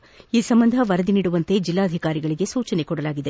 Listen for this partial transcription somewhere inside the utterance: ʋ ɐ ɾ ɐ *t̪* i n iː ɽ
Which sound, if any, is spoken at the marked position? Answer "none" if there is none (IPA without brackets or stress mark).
d̪